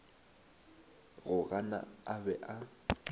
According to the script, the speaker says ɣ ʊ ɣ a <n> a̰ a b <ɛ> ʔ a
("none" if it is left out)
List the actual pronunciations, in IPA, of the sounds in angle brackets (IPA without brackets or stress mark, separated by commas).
n, ɛ